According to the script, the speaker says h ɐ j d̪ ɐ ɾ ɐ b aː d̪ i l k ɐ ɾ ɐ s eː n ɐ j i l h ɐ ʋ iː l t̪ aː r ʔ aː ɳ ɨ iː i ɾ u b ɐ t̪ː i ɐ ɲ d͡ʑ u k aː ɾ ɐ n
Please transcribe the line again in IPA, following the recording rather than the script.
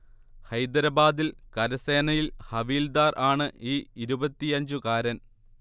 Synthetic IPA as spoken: h ɐ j d̪ ɐ ɾ ɐ b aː d̪ i l k ɐ ɾ ɐ s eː n ɐ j i l h ɐ ʋ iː l d̪ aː r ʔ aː ɳ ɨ iː i ɾ u b ɐ t̪ː i ɐ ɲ d͡ʑ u k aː ɾ ɐ n